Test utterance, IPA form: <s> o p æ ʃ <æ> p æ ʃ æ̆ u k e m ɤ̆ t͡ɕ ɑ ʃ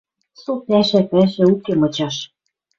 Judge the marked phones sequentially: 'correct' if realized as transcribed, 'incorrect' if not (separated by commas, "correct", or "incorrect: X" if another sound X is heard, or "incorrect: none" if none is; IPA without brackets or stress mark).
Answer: correct, correct